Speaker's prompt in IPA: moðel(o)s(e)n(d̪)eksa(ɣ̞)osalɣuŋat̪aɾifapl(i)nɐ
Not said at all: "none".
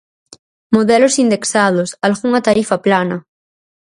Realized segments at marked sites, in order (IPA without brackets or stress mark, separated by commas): o, i, d̪, ð̞, a